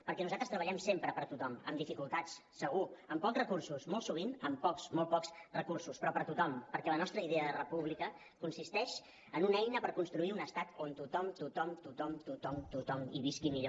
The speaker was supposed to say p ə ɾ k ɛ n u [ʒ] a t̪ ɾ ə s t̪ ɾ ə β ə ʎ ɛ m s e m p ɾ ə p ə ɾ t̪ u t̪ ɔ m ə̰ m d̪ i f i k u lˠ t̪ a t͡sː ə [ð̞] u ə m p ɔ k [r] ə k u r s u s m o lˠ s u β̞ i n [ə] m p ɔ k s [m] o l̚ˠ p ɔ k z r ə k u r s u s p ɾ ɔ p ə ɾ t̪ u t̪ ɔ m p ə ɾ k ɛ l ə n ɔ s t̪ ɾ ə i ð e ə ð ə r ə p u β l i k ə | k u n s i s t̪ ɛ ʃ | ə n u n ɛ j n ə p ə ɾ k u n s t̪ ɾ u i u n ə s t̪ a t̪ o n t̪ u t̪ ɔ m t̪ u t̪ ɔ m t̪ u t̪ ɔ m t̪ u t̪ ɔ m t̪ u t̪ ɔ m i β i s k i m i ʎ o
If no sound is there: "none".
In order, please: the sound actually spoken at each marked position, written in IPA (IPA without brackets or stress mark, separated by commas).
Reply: z, ɣ̞, r, ə, m